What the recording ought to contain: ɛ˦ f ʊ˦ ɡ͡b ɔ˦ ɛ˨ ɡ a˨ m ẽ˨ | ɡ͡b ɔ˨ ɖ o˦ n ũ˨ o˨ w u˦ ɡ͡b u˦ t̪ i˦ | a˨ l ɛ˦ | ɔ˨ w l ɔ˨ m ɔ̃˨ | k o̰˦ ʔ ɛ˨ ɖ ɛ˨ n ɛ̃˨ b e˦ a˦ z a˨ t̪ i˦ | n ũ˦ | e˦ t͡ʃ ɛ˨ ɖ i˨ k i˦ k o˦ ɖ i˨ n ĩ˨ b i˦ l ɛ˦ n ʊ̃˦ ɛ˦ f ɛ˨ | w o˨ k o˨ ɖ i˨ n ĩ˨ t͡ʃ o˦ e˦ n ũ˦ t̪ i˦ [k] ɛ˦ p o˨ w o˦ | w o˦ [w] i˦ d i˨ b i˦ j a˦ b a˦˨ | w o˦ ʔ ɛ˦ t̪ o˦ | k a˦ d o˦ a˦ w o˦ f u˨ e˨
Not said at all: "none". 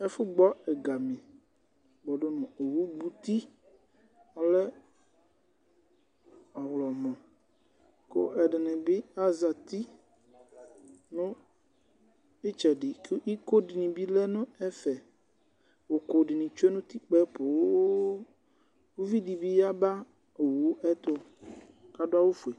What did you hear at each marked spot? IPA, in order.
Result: k͡p, v

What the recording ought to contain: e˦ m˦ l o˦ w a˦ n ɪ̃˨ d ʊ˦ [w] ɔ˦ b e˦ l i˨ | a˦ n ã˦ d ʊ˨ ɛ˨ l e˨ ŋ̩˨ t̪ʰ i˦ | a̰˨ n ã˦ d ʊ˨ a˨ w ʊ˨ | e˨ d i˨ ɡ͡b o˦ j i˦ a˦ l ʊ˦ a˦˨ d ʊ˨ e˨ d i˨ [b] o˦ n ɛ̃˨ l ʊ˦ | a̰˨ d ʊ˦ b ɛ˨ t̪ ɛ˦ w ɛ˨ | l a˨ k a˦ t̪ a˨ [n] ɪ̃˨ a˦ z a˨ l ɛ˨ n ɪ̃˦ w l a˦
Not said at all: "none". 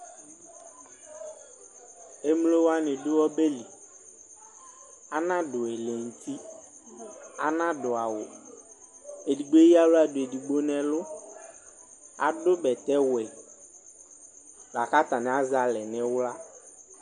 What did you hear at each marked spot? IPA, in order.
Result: w, ɡ͡b, n

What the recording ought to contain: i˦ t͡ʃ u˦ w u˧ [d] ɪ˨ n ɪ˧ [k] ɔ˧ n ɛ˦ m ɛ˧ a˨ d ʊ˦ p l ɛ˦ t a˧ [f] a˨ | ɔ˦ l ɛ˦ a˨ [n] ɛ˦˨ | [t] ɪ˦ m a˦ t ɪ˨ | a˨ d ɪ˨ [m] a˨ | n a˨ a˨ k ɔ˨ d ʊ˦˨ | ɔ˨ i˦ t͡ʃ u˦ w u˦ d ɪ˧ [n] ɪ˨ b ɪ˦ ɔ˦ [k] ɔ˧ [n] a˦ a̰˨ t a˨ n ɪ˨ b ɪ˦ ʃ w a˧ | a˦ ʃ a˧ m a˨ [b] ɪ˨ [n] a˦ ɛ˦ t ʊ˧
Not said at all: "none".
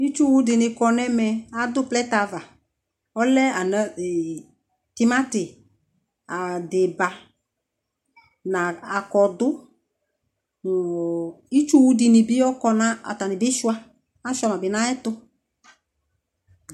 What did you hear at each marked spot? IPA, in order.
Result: d, k, v, n, t, b, n, k, n, b, n

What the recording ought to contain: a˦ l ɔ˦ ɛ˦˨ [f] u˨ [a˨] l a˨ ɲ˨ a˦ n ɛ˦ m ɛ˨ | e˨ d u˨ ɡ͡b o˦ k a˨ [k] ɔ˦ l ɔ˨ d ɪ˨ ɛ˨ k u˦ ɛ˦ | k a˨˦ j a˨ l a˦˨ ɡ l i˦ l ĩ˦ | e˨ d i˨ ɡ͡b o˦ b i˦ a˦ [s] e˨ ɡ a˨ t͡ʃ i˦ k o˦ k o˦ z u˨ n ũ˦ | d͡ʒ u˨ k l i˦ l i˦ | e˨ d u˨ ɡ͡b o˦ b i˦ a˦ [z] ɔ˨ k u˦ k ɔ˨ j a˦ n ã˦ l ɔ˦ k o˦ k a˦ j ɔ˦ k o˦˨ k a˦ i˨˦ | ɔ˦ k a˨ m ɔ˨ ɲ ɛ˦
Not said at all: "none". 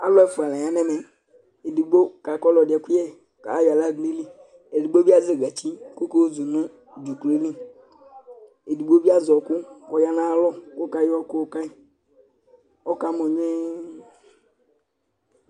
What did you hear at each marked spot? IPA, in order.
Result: f, a˨, k, z, z

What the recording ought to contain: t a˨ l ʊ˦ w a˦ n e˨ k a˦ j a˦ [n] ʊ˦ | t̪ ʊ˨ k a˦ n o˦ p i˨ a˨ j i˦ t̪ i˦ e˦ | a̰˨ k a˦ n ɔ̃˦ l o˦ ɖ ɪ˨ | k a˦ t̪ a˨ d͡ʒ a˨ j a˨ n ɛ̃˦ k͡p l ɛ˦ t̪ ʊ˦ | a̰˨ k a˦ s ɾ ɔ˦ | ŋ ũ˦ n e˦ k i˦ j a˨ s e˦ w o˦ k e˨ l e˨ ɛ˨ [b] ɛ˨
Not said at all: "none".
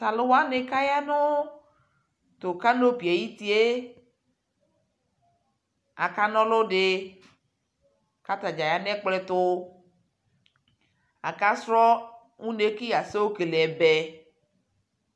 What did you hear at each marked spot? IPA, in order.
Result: n, b

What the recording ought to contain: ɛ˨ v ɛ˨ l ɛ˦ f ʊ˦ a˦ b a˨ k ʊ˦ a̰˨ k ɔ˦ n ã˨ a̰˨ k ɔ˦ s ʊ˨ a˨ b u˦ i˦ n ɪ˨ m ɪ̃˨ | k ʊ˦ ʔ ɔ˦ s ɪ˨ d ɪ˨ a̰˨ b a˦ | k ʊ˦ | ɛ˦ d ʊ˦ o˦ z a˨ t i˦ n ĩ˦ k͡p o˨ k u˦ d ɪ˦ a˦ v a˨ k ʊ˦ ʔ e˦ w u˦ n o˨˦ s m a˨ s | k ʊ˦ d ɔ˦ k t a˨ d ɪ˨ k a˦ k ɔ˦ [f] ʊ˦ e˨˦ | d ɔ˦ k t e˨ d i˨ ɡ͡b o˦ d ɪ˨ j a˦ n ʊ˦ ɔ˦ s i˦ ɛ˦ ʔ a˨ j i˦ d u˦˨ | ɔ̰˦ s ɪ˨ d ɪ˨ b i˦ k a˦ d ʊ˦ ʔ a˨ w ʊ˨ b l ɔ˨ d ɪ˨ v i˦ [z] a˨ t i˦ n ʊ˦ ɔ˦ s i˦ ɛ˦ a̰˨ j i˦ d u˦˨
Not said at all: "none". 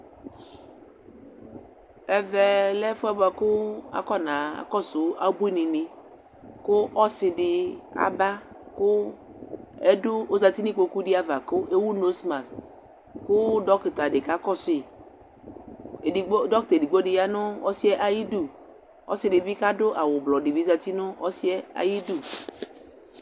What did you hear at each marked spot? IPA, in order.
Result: s, z

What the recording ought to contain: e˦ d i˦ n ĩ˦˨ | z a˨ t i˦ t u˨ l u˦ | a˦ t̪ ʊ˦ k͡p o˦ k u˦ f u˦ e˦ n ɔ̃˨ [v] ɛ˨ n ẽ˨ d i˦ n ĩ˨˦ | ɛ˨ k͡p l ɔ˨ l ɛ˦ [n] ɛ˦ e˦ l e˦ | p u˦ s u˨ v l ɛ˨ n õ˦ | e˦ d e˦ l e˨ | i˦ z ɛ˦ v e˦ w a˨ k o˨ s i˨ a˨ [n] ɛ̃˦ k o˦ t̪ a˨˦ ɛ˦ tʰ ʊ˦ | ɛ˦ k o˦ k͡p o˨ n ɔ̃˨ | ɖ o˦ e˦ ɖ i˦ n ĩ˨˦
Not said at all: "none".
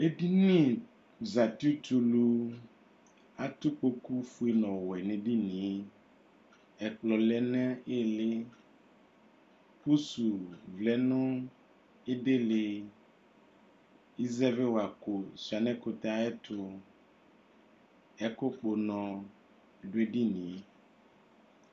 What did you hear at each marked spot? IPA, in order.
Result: w, n, n

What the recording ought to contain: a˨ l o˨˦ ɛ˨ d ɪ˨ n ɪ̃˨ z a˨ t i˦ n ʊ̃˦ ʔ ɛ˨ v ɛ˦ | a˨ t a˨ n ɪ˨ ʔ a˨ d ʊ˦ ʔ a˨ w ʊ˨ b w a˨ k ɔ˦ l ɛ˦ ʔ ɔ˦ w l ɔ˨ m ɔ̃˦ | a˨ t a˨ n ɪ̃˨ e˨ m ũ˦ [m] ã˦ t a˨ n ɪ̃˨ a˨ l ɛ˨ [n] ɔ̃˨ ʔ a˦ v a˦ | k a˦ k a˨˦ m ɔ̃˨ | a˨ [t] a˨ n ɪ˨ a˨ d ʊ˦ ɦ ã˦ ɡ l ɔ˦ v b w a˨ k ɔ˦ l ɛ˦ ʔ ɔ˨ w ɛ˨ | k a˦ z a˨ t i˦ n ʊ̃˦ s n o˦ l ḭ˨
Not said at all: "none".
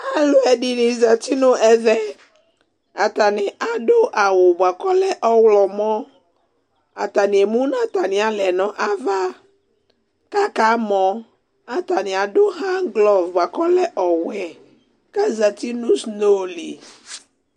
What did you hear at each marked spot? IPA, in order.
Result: n, n, t

